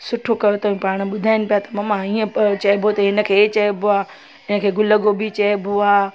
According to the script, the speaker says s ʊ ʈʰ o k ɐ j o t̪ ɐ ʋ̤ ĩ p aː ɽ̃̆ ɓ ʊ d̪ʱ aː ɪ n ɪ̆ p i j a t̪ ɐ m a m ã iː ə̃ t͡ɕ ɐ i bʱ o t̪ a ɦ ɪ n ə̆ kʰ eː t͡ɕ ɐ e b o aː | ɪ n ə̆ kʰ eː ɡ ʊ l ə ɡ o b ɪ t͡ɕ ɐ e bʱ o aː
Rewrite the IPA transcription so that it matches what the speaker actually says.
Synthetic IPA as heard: s ʊ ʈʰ o k ɐ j o t̪ ɐ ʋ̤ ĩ p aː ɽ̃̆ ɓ ʊ d̪ʱ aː ɪ n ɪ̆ p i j a t̪ ɐ m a m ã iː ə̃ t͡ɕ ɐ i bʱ o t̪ ɐ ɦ ɪ n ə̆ kʰ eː t͡ɕ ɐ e b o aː | ɪ n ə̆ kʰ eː ɡ ʊ l ə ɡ o b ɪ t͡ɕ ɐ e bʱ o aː